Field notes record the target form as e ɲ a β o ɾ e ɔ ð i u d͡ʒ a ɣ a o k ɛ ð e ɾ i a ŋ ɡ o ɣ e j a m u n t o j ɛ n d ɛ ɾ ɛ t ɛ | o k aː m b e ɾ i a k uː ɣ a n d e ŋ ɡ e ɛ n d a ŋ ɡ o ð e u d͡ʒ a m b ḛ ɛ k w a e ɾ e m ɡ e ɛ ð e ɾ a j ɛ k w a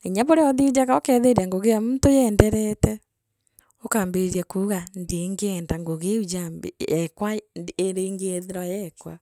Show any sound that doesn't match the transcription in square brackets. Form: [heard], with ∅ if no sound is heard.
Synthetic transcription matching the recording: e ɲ a β o ɾ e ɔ ð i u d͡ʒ a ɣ a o k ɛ ð e ɾ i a ŋ ɡ o ɣ e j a m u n t o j ɛ n d ɛ ɾ ɛ t ɛ | o k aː m b e ɾ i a k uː ɣ a n d e ŋ ɡ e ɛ n d a ŋ ɡ o [ɣ] e u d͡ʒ a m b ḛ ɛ k w a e ɾ e [ŋ] ɡ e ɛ ð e ɾ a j ɛ k w a